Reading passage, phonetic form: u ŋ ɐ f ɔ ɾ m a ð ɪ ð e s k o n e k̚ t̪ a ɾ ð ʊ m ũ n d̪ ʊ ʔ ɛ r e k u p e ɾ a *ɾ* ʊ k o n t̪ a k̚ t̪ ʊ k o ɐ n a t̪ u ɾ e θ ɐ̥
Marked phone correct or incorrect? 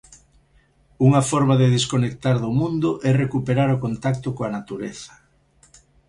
correct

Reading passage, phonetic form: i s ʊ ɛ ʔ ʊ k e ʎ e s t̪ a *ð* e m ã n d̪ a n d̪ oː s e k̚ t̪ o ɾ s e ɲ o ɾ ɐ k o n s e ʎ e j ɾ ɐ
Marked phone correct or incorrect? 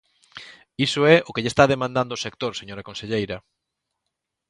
correct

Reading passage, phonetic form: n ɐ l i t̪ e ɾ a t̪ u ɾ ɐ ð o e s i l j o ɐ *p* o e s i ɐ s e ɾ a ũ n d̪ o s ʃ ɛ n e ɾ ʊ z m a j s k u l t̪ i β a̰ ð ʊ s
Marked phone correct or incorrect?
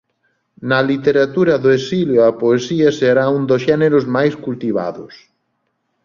correct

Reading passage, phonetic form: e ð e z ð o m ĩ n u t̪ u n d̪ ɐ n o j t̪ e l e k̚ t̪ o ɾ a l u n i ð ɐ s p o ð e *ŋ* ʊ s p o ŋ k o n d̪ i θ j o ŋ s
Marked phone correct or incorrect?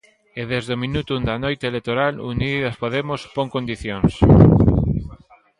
incorrect: m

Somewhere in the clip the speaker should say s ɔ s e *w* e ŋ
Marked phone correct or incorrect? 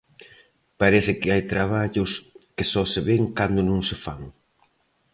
incorrect: β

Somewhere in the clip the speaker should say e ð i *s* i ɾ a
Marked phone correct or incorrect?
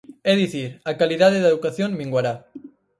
incorrect: θ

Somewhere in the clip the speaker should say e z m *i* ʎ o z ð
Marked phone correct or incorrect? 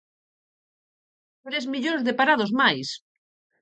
correct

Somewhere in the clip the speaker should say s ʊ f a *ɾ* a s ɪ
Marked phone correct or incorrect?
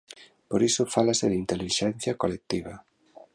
incorrect: l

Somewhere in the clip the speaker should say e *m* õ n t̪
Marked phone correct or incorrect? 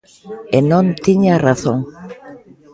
incorrect: n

